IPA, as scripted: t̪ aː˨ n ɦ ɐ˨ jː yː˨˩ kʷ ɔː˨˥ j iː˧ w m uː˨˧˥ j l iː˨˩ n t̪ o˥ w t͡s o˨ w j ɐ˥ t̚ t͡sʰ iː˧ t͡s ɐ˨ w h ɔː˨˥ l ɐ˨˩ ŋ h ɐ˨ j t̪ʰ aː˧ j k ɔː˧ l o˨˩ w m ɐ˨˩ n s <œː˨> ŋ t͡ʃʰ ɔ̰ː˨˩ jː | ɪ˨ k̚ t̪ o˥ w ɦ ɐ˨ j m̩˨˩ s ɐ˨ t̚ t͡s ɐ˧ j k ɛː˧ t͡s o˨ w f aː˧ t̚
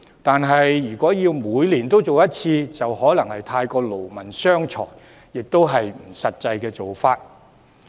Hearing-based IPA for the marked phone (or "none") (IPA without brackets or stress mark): œː˥